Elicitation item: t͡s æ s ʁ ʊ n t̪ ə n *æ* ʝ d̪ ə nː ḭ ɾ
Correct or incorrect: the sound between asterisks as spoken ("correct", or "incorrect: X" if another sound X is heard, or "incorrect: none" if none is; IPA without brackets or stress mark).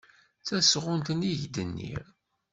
incorrect: i